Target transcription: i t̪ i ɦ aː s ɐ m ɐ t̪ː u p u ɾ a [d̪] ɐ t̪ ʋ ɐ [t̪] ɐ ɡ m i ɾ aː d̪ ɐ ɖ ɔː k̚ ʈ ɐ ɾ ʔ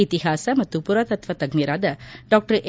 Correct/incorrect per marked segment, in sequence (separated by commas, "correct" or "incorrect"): incorrect, correct